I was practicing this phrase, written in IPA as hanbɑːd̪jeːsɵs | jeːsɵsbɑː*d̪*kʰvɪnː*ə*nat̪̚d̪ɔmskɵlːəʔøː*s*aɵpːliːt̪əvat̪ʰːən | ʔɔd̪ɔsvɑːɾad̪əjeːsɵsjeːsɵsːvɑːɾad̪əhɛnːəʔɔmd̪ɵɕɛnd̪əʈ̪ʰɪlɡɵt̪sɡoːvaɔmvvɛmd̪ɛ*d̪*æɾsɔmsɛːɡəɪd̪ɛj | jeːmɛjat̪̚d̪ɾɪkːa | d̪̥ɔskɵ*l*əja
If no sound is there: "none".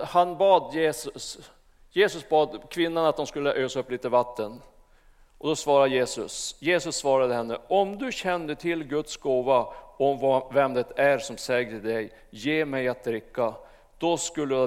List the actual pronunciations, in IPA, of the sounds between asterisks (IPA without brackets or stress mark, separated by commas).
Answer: d̪, a, s, t̪, lː